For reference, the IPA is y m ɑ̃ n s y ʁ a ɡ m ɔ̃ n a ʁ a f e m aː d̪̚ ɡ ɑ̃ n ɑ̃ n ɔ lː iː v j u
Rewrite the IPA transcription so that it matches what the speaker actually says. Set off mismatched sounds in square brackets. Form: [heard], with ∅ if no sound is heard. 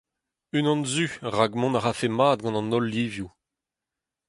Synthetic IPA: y [n] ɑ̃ n [z] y ʁ a ɡ m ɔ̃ n a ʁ a f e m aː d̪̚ ɡ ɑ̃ n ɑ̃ n ɔ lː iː v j u